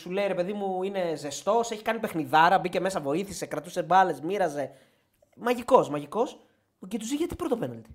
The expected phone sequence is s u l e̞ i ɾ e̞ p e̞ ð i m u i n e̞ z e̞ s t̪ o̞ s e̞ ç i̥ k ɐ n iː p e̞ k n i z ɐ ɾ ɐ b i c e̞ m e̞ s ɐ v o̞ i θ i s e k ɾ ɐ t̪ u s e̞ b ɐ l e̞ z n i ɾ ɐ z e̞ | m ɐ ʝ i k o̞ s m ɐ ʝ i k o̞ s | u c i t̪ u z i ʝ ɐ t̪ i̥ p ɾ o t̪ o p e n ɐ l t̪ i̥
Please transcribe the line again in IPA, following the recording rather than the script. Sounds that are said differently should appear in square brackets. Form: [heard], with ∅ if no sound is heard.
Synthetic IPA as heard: s u l e̞ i ɾ e̞ p e̞ ð i m u i n e̞ z e̞ s t̪ o̞ s e̞ ç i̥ k ɐ n [i] p e̞ [x] n i [ð] ɐ ɾ ɐ b i c e̞ m e̞ s ɐ v o̞ i θ i s e k ɾ ɐ t̪ u s e̞ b ɐ l e̞ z [m] i ɾ ɐ z e̞ | m ɐ ʝ i k o̞ s m ɐ ʝ i k o̞ s | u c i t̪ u z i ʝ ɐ t̪ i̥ p ɾ o t̪ o p e n ɐ l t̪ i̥